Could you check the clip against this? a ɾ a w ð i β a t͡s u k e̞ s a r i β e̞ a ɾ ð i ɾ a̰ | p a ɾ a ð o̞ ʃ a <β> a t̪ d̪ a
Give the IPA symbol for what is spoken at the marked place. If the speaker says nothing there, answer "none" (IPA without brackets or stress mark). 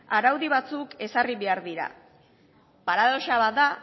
β